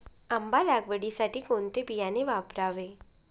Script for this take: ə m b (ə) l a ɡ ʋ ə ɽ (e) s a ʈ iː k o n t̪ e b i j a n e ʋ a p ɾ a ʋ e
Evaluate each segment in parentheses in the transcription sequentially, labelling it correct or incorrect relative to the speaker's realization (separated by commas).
incorrect, incorrect